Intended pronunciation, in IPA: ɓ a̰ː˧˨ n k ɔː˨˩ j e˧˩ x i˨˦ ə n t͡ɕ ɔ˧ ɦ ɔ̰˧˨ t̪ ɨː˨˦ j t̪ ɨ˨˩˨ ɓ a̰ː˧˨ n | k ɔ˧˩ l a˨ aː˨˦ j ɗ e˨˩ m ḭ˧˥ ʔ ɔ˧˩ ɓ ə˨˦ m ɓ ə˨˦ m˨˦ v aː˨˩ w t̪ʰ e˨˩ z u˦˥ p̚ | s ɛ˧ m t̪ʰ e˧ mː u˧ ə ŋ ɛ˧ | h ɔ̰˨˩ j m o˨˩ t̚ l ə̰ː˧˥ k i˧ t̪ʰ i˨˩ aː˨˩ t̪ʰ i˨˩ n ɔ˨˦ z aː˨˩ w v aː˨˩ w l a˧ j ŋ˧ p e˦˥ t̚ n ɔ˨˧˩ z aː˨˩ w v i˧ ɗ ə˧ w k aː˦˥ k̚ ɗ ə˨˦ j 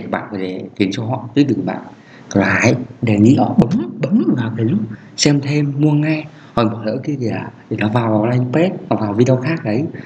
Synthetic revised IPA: ɓ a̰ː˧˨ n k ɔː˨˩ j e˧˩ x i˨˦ ə n t͡ɕ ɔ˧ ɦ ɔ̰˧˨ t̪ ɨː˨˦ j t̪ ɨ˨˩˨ ɓ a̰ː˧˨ n | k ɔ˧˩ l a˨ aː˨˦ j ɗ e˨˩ ŋ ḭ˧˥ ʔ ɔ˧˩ ɓ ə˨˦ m ɓ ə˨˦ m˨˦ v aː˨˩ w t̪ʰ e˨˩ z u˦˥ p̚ | s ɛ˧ m t̪ʰ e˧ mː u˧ ə ŋ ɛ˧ | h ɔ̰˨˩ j m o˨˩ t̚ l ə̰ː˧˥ k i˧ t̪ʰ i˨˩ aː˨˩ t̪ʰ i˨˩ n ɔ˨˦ v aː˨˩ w v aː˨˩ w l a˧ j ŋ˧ p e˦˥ t̚ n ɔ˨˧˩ v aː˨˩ w v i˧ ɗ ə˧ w x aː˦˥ k̚ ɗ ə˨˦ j